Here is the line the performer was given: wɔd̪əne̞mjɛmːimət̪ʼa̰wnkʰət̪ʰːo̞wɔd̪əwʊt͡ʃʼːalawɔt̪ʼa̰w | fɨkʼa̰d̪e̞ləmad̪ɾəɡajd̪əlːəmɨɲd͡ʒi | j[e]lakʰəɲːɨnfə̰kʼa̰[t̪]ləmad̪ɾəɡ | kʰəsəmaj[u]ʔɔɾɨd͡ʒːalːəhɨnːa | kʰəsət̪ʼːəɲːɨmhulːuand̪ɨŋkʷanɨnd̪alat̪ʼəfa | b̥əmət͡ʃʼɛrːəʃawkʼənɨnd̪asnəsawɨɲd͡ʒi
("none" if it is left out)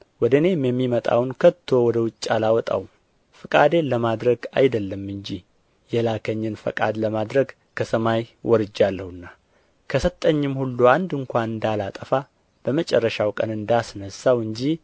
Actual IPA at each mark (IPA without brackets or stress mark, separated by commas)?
ɛ, d̪, w